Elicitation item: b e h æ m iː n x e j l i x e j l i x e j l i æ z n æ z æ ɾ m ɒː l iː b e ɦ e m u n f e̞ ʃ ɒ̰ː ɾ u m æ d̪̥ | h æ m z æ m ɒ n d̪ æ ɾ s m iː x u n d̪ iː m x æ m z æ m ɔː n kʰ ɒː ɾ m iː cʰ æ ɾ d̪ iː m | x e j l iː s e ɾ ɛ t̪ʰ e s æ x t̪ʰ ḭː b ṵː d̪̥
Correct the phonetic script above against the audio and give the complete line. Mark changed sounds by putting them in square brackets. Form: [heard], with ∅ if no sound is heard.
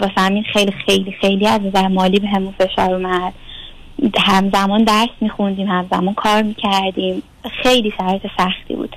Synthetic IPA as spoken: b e [f] æ m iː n x e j l i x e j l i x e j l i æ z n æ z æ ɾ m ɒː l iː b e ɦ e m u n f e̞ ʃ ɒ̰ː ɾ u m æ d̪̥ | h æ m z æ m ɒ n d̪ æ ɾ s m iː x u n d̪ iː m [h] æ m z æ m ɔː n kʰ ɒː ɾ m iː cʰ æ ɾ d̪ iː m | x e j l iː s [æ] ɾ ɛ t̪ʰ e s æ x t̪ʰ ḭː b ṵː d̪̥